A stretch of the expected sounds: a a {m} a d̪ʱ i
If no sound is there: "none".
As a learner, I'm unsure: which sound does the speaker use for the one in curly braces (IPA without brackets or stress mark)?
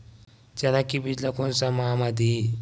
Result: m